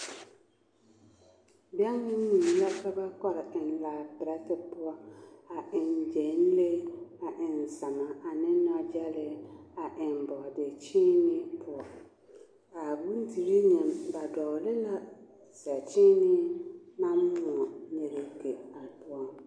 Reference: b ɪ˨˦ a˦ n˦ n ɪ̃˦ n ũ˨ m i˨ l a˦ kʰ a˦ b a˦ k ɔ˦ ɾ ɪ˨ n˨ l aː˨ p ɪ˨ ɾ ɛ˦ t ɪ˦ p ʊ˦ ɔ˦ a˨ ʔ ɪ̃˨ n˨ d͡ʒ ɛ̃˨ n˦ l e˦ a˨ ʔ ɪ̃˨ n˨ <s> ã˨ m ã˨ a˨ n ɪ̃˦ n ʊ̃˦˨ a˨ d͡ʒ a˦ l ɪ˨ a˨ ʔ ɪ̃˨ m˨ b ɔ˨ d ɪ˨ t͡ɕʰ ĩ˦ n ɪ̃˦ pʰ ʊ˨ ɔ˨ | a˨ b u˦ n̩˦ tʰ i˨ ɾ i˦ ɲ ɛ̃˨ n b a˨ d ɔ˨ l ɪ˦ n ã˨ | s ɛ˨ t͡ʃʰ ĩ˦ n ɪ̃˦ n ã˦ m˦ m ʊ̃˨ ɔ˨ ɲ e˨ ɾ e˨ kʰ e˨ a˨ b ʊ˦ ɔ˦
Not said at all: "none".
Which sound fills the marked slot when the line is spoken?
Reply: s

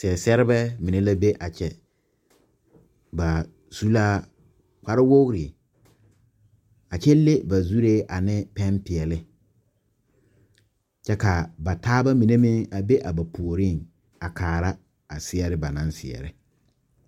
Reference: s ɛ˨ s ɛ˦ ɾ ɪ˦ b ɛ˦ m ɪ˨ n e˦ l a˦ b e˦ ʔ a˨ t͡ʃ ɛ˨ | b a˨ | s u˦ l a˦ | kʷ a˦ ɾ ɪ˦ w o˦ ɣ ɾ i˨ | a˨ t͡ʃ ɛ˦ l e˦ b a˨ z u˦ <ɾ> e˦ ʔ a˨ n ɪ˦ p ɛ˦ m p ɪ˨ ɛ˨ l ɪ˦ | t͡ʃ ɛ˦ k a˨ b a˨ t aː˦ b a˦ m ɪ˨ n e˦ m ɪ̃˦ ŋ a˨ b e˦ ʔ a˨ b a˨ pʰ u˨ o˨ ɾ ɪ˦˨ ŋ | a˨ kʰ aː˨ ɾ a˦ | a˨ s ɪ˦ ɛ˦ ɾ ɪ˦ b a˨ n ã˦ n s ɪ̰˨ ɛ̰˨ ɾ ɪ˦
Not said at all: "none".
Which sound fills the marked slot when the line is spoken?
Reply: ɾ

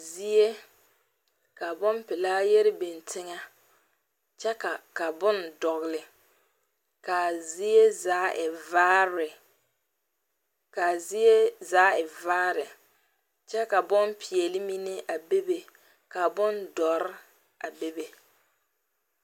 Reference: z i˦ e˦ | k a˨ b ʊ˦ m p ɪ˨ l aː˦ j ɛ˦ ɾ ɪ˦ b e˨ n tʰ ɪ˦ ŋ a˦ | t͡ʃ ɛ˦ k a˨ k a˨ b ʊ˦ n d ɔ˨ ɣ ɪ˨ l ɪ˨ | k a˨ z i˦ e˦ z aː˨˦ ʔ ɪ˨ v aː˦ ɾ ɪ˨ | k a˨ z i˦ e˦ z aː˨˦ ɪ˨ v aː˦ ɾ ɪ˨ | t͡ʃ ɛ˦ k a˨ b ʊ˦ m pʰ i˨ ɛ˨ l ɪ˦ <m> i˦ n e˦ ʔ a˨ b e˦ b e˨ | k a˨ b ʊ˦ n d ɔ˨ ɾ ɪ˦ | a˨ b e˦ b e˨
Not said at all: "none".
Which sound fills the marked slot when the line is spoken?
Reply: m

